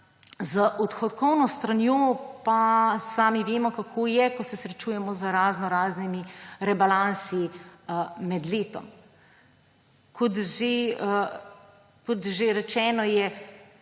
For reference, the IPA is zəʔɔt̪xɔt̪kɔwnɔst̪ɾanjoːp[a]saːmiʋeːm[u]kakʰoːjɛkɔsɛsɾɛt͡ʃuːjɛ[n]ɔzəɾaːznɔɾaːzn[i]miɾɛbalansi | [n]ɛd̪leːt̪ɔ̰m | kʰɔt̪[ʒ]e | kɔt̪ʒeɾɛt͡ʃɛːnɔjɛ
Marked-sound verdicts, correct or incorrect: correct, incorrect, incorrect, correct, incorrect, correct

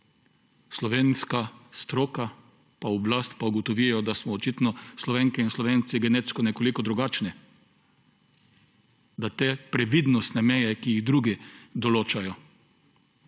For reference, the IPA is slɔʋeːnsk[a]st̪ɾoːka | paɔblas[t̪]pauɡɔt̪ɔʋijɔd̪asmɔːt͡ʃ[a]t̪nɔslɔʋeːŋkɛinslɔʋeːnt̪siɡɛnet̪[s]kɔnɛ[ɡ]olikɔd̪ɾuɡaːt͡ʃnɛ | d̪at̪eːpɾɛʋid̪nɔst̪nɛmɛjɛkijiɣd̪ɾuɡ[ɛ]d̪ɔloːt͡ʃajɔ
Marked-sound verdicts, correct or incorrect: correct, correct, incorrect, correct, incorrect, incorrect

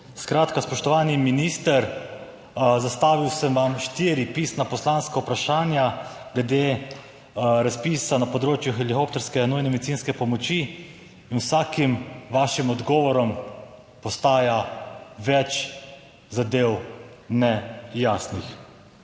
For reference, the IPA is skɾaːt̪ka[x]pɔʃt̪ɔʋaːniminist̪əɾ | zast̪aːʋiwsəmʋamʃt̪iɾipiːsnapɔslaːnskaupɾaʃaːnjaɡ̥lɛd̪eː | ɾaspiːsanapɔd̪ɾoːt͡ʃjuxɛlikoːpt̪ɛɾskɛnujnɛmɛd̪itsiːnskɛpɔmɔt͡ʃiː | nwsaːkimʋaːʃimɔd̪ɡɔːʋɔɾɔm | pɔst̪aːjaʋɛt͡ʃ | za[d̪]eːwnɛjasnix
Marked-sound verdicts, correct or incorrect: incorrect, correct

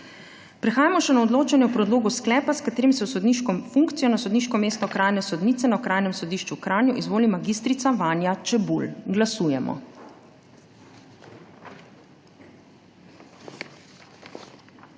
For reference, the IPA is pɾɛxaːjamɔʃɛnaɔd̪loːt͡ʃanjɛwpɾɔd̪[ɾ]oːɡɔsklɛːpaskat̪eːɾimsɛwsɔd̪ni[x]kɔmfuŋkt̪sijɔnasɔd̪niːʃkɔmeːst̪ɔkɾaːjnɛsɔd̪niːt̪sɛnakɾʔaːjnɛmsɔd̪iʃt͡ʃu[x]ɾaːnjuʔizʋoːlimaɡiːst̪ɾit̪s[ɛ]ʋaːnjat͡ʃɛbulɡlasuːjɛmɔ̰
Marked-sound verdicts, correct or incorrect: incorrect, incorrect, incorrect, incorrect

